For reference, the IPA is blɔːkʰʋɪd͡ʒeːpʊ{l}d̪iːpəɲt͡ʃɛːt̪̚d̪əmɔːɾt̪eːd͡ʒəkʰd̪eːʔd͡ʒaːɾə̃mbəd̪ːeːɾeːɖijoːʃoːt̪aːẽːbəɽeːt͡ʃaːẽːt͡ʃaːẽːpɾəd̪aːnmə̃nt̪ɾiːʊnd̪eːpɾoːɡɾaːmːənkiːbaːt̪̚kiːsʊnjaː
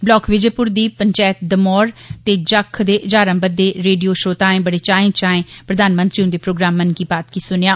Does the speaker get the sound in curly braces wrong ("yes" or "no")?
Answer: yes